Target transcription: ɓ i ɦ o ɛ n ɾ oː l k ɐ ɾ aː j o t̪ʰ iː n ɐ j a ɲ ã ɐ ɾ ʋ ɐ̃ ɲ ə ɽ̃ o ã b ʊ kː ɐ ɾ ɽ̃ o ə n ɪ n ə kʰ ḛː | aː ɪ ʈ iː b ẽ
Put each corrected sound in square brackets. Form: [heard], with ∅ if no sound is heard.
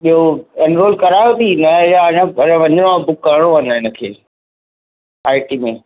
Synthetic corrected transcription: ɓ i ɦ o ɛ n ɾ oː l k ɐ ɾ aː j o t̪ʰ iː n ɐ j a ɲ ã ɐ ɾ ʋ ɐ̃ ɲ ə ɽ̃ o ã b ʊ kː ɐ ɾ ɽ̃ o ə n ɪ n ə kʰ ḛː | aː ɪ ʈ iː [m] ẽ